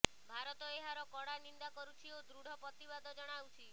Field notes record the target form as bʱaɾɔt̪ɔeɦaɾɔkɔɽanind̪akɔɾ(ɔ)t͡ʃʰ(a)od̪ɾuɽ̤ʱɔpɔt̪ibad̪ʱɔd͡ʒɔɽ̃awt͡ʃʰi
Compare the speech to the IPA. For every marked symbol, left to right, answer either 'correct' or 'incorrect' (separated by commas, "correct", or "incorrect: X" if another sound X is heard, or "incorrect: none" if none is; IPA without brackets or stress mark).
incorrect: u, incorrect: i